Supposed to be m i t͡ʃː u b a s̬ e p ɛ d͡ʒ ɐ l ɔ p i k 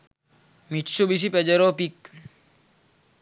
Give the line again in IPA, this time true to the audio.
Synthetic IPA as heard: m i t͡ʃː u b i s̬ i p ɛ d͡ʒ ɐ ɾ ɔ p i k